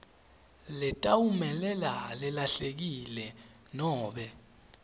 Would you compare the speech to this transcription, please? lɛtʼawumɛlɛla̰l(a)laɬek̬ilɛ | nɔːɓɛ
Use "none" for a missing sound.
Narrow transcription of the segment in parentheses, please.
ɛ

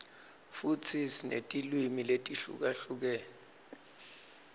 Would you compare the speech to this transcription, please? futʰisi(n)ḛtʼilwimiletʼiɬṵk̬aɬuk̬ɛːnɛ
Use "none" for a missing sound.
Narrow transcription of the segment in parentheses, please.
n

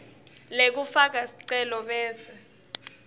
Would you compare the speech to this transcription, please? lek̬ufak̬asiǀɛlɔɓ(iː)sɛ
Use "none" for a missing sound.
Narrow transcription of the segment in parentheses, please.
ɛː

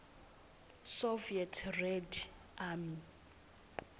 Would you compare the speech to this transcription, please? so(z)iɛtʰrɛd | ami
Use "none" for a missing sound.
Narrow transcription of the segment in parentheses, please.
v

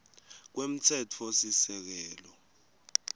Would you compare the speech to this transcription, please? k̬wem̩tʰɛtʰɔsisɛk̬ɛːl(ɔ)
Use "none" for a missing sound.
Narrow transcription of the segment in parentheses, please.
ɔ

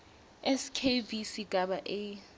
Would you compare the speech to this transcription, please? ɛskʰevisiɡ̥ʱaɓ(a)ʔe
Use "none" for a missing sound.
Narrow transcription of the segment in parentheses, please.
a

